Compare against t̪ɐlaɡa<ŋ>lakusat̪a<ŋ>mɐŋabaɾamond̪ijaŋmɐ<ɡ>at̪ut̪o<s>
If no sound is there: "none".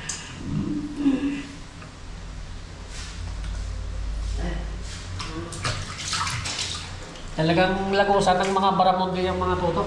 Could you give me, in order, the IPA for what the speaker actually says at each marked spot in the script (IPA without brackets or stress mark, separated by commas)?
ŋ, ŋ, ŋ, none